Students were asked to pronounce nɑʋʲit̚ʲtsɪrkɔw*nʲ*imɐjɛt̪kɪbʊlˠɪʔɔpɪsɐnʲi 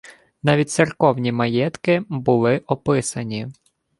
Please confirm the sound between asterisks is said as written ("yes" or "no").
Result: yes